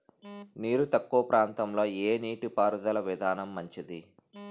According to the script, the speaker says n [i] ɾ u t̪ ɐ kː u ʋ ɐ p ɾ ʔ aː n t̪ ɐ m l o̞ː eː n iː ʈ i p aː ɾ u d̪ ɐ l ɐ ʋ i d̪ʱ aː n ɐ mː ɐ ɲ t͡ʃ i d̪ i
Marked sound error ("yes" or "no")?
yes